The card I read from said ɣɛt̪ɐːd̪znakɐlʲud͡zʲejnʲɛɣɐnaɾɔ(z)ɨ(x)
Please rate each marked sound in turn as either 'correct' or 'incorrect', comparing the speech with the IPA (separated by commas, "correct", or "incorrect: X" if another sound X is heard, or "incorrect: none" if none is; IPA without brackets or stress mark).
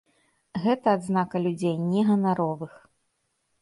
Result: incorrect: v, correct